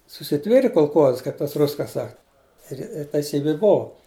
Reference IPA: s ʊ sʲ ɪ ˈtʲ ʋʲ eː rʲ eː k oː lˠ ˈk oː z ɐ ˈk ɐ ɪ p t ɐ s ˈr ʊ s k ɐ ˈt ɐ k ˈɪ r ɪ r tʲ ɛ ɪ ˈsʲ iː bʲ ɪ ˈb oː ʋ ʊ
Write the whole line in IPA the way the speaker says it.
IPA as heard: s ʊ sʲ ɪ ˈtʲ ʋʲ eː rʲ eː k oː lˠ ˈk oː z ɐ ˈk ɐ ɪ p t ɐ s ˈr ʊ s k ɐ ˈs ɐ k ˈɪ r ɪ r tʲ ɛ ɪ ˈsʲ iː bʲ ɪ ˈb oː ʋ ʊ